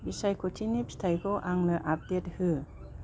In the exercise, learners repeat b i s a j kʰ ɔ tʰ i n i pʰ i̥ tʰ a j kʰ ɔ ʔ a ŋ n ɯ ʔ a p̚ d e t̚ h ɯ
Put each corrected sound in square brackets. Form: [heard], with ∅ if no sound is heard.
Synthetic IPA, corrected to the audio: b i s a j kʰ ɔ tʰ i n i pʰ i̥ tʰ a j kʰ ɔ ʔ a ŋ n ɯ ʔ a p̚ d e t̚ h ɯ